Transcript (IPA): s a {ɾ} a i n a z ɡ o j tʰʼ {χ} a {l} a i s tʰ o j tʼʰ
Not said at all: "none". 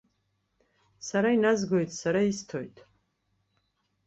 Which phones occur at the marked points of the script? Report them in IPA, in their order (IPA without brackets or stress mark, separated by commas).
ɾ, s, ɾ